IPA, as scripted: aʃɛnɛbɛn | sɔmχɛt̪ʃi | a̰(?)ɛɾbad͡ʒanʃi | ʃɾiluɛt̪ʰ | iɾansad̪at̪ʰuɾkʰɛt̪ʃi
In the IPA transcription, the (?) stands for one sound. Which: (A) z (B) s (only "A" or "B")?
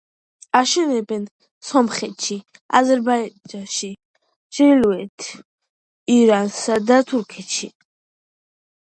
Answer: A